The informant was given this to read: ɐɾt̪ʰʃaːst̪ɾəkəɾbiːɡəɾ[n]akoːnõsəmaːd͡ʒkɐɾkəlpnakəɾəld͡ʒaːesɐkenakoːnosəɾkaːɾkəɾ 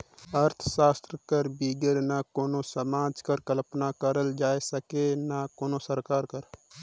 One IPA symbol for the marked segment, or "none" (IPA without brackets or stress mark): n